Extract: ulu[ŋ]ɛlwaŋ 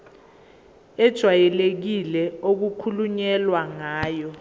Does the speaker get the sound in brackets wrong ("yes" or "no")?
yes